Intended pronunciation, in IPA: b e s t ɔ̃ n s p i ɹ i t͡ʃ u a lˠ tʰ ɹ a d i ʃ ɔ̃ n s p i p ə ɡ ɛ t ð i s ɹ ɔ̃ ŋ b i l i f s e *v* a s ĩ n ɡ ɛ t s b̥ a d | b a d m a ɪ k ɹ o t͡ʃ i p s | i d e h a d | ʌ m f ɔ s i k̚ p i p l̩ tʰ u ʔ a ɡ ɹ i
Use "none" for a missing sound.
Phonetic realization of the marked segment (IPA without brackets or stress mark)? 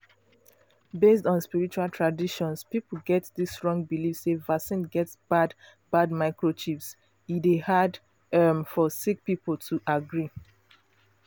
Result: v